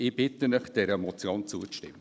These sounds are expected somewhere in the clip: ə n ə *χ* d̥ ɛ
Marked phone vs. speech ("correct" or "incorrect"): correct